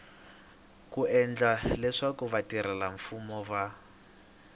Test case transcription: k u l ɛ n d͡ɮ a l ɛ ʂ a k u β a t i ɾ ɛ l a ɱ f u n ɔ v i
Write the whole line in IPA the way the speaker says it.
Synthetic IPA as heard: k u ɛ n d͡ɮ a l ɛ ʂ a k u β a t i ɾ ɛ l a ɱ f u m ɔ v a